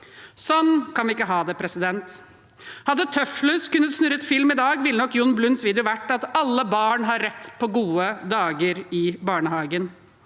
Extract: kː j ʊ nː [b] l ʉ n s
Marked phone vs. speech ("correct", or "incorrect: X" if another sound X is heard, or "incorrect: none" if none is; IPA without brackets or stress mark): correct